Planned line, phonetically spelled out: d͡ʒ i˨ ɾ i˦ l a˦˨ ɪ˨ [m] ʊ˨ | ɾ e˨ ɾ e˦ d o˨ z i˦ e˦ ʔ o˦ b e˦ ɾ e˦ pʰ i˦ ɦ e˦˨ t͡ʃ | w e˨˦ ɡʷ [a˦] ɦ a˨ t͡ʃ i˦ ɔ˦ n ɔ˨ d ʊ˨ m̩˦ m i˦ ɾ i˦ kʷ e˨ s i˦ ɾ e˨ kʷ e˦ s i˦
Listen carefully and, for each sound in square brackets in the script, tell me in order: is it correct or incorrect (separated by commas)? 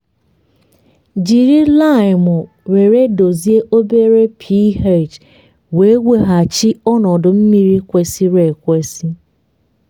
correct, incorrect